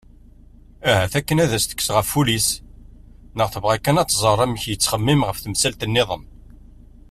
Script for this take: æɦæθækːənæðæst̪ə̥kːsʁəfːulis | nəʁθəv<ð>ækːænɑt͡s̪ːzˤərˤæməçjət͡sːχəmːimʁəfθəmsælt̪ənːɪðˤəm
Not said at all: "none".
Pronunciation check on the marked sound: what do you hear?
ʁ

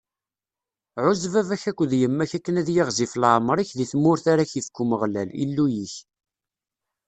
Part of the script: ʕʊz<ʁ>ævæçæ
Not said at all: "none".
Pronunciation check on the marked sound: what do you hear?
v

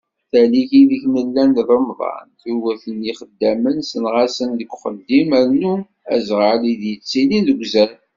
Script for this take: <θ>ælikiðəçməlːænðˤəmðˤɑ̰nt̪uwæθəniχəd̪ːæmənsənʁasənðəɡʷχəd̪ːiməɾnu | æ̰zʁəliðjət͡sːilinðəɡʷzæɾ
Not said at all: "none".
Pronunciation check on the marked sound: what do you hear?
θ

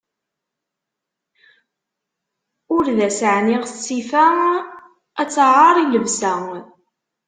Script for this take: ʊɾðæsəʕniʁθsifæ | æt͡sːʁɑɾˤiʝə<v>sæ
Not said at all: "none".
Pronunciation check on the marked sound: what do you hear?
v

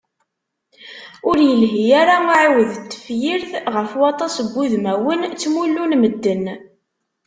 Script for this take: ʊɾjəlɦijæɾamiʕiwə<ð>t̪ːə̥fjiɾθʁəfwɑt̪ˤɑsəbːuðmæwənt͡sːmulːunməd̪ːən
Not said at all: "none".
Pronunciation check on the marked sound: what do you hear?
ð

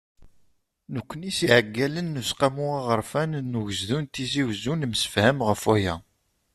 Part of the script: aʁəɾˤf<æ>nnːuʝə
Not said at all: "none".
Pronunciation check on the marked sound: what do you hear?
æ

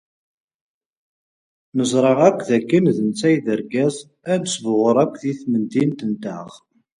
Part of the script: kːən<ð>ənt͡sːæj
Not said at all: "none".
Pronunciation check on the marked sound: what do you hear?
ð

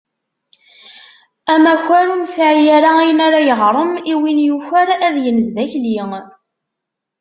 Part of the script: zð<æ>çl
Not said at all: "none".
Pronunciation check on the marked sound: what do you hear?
æ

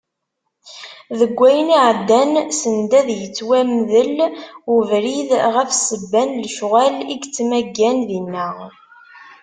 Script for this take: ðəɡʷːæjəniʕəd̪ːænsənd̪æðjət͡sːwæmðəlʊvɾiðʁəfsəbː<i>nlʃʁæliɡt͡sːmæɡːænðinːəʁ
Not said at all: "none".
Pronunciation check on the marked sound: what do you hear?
æ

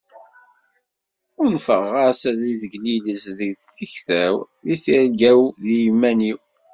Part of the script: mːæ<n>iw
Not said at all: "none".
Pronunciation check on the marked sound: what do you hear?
n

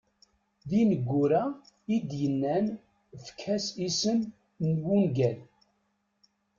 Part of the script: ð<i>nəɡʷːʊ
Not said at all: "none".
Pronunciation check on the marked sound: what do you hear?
i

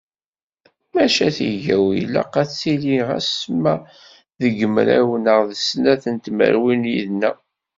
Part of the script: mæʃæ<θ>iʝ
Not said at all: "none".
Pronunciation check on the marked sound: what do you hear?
θ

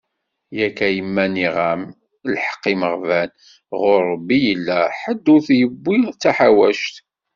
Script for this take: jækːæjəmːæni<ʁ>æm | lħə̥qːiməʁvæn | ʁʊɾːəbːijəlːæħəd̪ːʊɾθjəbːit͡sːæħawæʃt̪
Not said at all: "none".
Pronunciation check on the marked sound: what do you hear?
ʁ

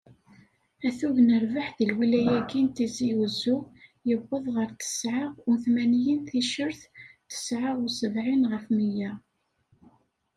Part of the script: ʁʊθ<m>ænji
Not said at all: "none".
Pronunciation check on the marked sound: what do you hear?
m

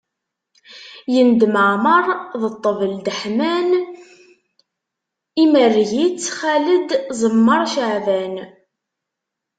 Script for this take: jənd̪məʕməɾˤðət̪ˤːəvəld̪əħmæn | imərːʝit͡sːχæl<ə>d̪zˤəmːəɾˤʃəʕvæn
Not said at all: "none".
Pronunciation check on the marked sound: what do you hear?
ə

